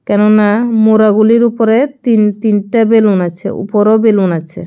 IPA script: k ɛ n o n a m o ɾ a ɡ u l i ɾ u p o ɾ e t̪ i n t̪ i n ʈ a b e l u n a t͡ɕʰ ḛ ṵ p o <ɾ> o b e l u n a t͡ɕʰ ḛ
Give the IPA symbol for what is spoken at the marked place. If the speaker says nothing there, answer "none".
ɾ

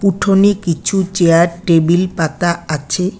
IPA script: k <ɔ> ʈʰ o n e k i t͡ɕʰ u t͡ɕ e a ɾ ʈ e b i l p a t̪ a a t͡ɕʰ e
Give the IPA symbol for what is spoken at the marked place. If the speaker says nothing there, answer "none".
u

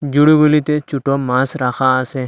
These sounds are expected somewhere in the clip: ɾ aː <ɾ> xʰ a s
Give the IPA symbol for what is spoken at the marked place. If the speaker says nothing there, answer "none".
none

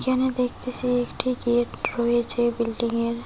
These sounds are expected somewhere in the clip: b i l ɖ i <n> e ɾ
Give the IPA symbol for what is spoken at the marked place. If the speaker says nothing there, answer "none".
ŋ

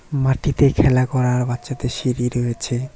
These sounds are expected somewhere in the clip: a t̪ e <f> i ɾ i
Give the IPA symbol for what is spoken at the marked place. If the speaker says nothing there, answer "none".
ʃ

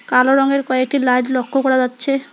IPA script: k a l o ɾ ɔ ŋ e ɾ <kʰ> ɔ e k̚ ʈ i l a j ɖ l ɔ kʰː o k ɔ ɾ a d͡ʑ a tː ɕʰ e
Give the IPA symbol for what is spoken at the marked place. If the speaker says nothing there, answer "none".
k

